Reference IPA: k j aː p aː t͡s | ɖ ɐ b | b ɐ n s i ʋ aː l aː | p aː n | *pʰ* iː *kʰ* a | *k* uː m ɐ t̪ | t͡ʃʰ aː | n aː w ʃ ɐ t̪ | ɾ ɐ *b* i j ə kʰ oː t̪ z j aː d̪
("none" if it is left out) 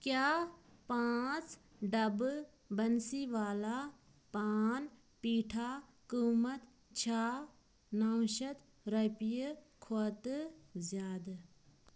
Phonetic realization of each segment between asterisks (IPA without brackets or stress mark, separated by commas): p, ʈʰ, k, p